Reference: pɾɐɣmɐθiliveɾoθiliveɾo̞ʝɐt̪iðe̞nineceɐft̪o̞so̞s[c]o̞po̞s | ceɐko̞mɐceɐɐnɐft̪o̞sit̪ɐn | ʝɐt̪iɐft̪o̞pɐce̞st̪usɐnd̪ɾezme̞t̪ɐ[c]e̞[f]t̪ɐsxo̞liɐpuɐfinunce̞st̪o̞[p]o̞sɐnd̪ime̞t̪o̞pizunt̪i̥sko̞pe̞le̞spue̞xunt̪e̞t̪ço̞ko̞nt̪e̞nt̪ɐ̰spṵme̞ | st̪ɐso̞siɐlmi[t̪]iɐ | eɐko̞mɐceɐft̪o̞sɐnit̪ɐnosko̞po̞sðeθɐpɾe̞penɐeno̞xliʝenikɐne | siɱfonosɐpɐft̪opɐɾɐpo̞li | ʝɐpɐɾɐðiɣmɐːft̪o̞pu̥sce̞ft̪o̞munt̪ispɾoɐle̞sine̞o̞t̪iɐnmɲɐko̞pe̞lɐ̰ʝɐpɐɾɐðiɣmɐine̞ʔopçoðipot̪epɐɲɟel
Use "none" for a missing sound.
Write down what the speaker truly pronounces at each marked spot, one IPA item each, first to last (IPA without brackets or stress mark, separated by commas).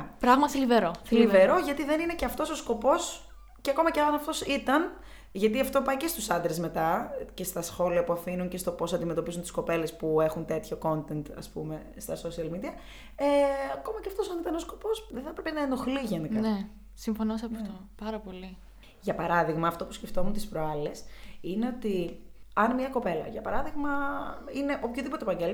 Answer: k, c, s, p, d̪